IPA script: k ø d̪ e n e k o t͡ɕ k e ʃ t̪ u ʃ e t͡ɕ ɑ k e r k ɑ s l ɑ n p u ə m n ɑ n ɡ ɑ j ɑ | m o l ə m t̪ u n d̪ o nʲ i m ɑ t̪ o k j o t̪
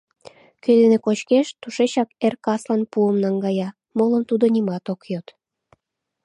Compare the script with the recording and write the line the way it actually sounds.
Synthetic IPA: k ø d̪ e n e k o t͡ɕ k e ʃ t̪ u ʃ e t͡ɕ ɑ k e r k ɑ s l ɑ n p u ə m n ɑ ŋ ɡ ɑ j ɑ | m o l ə m t̪ u d̪ o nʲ i m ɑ t̪ o k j o t̪